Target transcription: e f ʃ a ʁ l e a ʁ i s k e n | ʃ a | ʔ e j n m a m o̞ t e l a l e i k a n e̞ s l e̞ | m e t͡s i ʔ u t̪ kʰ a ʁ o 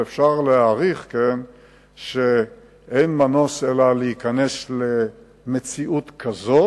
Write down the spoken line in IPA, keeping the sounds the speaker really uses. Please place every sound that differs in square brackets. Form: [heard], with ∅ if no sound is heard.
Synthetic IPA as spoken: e f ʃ a ʁ l e a ʁ i [χ] k e n | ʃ [e] | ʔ e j n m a [n] o̞ [s] e l a l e i k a n e̞ s l e̞ | m e t͡s i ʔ u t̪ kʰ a [z] o

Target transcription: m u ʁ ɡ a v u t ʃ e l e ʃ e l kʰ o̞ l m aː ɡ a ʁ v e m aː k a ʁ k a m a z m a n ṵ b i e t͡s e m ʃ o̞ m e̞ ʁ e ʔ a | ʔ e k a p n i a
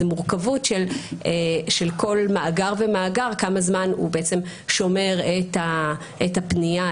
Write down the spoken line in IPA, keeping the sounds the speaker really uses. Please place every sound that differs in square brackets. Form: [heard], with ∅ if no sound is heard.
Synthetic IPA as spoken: m u ʁ [k] a v u t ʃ e l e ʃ e l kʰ o̞ l m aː ɡ a ʁ v e m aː [ɡ] a ʁ k a m a z m a n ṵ b [e] e t͡s e m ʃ o̞ m e̞ ʁ e [t] a | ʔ e [t] a p n i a

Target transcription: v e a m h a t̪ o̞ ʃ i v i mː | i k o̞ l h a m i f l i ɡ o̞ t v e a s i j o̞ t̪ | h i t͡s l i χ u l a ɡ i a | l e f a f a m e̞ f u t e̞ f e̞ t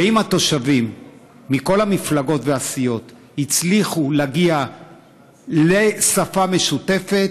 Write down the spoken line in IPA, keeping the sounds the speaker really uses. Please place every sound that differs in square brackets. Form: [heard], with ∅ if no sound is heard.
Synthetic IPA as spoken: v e [i] m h a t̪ o̞ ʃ [a] v i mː | i k o̞ l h a m i f l [a] ɡ o̞ t v e a s i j o̞ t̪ | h i t͡s l i χ u l a ɡ i a | l e [s] a f a m e̞ [ʃ] u t e̞ f e̞ t

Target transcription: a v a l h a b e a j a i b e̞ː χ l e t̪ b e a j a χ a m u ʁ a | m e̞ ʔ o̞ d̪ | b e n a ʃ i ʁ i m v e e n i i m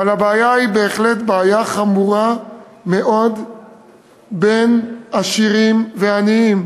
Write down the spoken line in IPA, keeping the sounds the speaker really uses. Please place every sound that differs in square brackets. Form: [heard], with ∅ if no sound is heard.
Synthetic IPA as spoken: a v a l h a b e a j a i b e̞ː χ l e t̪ b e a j a χ a m u ʁ a | m e̞ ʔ o̞ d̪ | b e n a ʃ i ʁ i m v e [a] n i i m

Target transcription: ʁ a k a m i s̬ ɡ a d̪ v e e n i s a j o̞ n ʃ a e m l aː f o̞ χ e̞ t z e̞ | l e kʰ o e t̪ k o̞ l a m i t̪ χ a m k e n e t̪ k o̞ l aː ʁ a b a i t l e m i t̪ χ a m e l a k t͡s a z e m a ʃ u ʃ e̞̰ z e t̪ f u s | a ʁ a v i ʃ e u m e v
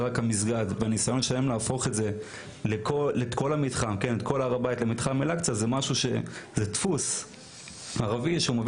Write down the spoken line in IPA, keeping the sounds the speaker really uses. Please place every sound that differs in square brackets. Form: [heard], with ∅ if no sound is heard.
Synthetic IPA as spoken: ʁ a k a m i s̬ ɡ a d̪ v e [a] n i s a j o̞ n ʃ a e m l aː f o̞ χ e̞ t z e̞ | l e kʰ o e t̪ k o̞ l a m i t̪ χ a m k e n e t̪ k o̞ l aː ʁ a b a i t l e m i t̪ χ a m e l a k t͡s a z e m a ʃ u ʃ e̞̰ z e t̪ f u s | a ʁ a v i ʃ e u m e v

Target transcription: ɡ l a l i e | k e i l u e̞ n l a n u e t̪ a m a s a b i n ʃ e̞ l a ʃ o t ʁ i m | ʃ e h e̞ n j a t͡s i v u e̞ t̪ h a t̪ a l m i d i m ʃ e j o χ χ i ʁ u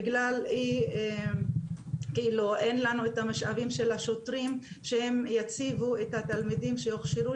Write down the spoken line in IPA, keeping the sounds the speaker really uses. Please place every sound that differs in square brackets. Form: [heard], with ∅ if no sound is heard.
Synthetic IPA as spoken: ɡ l a l i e | k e i l u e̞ n l a n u e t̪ a m a [ʃ] a [v] i [m] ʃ e̞ l a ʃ o t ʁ i m | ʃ e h e̞ [m] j a t͡s i v u e̞ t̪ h a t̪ a l m i d i m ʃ e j o χ [ʃ] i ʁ u

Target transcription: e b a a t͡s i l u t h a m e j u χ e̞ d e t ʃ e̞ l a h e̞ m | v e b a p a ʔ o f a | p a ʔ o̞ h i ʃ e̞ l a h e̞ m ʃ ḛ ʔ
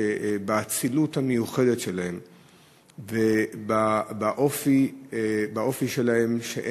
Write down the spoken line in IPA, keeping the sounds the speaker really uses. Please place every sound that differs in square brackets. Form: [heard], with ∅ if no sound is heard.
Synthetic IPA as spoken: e b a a t͡s i l u t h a m e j u χ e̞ d e t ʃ e̞ l a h e̞ m | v e b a [b] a ʔ o f [i] | [b] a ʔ o̞ [f] i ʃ e̞ l a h e̞ m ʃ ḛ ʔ

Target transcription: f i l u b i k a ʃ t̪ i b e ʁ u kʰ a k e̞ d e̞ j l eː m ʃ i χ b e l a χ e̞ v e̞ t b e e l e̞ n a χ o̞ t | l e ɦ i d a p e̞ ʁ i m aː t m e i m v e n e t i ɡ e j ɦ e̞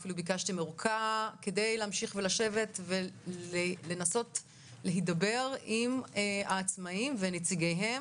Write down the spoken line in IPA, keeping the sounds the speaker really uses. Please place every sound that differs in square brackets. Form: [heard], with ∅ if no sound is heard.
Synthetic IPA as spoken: f i l u b i k a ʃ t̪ i [m] e ʁ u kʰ a k e̞ d e̞ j l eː m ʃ i χ [v] e l a [ʃ] e̞ v e̞ t [v] e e l e̞ n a [s] o̞ t | l e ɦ i d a [b] e̞ ʁ i m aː [t͡s] m [a] i m v e n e [t͡s] i ɡ e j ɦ e̞

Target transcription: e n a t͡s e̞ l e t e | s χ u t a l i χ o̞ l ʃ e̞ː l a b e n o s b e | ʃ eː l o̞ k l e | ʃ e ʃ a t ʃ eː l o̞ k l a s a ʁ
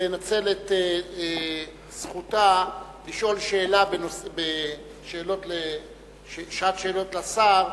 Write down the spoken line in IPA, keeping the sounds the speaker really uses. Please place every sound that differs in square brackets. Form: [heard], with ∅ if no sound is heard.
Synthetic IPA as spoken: e n a t͡s e̞ l e t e | s χ u t a l i [ʃ] o̞ l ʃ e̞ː l a b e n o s b e | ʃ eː l o̞ [t] l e | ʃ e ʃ a t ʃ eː l o̞ [t] l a s a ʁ

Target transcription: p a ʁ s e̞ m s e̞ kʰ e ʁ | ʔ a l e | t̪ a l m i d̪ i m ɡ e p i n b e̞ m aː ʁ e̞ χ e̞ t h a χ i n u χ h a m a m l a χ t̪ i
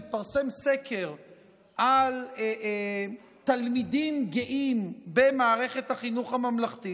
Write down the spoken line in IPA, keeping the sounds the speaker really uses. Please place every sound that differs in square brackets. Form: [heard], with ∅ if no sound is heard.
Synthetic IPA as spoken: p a ʁ s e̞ m s e̞ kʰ e ʁ | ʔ a l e | t̪ a l m i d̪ i m ɡ e [ʔ] i [m] b e̞ m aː ʁ e̞ χ e̞ t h a χ i n u χ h a m a m l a χ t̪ i

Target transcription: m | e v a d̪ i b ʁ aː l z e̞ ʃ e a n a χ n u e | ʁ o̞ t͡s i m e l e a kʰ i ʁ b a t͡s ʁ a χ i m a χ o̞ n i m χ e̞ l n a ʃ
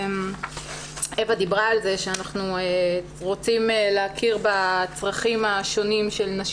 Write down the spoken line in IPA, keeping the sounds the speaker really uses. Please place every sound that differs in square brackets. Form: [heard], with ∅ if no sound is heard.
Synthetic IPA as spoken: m | e v a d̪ i b ʁ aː l z e̞ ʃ e a n a χ n u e | ʁ o̞ t͡s i m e l e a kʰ i ʁ b a t͡s ʁ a χ i m a [ʃ] o̞ n i m [ʃ] e̞ l n a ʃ

